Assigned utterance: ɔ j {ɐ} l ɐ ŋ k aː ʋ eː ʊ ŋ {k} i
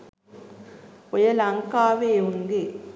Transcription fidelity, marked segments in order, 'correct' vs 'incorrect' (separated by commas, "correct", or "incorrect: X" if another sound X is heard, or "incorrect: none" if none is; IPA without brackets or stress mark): correct, incorrect: ɡ